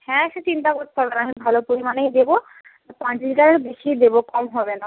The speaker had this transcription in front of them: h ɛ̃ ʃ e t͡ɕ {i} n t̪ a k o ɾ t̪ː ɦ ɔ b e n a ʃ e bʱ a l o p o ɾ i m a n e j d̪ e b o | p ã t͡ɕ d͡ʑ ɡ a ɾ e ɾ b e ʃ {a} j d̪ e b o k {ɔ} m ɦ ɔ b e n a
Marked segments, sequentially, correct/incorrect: correct, incorrect: i, correct

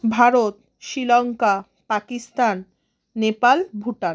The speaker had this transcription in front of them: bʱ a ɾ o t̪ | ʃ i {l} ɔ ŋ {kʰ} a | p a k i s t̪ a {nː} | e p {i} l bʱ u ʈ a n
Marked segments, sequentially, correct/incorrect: correct, incorrect: k, correct, incorrect: a

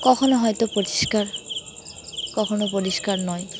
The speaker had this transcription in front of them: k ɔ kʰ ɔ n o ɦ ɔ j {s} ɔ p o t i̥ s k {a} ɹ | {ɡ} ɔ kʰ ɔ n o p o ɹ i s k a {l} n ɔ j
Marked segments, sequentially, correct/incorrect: incorrect: t, correct, incorrect: k, incorrect: ɹ

